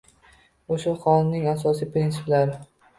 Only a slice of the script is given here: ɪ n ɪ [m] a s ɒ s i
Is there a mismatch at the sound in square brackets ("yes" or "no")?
yes